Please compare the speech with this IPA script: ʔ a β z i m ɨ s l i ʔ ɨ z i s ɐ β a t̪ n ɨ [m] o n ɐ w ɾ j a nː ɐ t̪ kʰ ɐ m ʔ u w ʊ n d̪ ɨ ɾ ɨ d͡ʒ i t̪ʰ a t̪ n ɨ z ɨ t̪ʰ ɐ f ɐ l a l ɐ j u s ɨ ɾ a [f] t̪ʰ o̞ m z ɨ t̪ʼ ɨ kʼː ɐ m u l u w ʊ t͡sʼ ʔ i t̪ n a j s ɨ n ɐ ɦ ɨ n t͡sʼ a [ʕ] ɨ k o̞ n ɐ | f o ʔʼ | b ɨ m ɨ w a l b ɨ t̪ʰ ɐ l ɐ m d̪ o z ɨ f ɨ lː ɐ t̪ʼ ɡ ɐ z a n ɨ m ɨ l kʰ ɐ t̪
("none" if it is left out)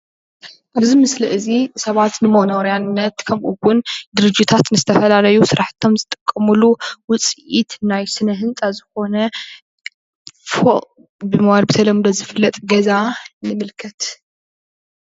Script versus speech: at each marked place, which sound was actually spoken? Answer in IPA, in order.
m, ħ, z

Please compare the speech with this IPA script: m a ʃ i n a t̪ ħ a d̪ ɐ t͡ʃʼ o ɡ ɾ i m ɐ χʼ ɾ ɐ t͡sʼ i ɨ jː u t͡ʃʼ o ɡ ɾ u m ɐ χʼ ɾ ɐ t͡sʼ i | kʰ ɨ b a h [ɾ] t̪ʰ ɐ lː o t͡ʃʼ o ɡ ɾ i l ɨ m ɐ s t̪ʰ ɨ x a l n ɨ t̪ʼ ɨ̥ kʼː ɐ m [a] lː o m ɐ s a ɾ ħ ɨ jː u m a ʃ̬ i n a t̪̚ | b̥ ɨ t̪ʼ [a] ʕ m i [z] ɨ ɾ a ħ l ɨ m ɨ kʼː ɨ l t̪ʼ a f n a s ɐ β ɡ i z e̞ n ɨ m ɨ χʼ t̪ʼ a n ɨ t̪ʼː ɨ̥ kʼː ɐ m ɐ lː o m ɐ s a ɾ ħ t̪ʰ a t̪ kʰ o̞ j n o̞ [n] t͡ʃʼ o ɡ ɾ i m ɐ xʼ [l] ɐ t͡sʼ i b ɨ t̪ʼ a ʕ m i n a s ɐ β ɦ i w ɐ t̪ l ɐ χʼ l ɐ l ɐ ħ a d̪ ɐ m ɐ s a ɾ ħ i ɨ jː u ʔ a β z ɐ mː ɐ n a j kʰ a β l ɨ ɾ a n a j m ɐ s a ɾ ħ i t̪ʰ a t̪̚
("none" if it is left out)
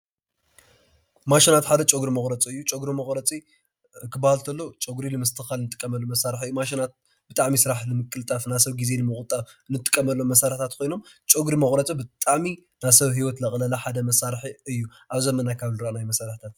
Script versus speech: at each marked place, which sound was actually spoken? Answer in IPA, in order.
l, ɐ, a, s, m, ɾ

